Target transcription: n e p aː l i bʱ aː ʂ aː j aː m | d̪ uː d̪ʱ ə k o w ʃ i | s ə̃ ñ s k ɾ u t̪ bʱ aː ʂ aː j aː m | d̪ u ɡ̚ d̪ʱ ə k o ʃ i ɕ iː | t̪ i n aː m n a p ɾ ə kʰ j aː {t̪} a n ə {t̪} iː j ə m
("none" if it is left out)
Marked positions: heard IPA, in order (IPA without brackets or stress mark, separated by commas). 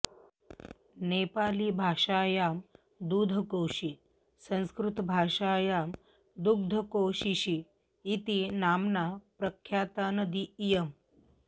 t̪, d̪